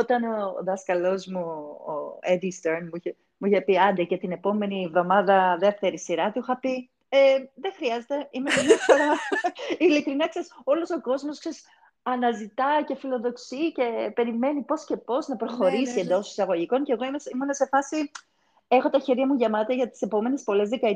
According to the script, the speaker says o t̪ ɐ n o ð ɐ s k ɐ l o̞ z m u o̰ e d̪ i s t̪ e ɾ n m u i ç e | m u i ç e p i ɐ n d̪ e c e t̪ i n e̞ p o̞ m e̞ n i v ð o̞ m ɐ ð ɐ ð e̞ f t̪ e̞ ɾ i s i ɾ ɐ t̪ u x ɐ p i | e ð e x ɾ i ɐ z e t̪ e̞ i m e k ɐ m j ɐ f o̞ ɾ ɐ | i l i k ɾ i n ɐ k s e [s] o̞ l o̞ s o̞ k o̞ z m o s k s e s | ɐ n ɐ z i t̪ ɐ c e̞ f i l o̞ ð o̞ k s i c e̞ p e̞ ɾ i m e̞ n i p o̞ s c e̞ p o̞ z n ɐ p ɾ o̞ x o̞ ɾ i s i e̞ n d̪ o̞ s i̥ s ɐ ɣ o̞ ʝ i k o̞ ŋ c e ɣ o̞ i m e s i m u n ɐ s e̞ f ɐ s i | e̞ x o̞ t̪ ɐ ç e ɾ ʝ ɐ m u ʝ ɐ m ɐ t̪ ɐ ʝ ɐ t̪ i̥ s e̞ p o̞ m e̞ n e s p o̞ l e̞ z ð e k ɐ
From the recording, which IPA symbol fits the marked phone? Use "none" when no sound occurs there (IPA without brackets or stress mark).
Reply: s